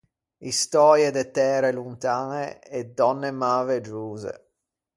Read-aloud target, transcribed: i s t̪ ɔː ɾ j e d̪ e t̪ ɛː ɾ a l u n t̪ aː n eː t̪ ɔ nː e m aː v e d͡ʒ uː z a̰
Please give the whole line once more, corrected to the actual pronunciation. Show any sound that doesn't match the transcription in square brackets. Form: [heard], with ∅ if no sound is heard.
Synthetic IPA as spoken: i s t̪ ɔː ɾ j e d̪ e t̪ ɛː ɾ [e] l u n t̪ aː n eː [d̪] ɔ nː e m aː v e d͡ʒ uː z [ḛ]